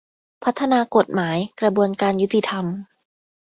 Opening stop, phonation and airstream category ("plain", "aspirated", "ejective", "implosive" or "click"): aspirated